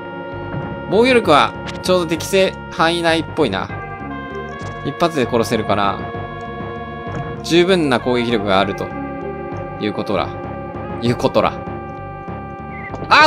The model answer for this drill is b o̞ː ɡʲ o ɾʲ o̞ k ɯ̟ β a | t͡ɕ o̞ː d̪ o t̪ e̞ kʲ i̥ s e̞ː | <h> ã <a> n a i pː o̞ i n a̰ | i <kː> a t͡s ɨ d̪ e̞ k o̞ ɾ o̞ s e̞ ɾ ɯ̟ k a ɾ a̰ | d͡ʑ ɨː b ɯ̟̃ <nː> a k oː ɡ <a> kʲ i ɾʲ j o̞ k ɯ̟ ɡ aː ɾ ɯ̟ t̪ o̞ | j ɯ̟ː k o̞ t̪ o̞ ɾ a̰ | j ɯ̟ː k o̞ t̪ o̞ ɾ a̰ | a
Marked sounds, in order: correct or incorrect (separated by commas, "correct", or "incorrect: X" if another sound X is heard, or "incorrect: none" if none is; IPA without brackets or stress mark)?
correct, incorrect: i, incorrect: pː, correct, incorrect: e